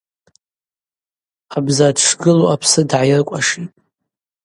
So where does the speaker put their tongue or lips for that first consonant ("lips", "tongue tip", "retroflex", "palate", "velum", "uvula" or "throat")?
lips